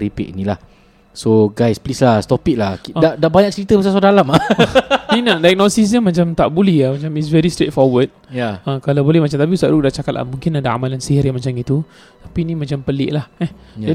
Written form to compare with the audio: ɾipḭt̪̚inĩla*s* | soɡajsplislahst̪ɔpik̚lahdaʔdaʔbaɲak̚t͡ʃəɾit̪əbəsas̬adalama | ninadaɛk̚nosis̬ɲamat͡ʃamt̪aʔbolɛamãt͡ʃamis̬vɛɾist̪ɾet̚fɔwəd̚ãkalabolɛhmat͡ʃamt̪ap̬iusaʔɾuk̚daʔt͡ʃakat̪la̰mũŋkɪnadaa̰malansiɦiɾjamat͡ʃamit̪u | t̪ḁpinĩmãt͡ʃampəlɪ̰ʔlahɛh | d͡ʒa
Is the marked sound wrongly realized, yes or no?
yes